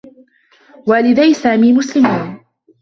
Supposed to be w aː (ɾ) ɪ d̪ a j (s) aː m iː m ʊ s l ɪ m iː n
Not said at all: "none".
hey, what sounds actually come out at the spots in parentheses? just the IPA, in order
l, s

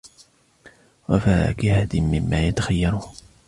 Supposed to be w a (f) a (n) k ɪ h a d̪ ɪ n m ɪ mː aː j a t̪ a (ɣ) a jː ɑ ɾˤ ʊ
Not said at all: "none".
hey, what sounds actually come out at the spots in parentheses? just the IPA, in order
f, none, x

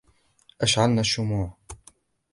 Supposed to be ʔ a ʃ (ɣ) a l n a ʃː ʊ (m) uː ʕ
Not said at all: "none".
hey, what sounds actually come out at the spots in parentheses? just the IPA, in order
ʕ, m

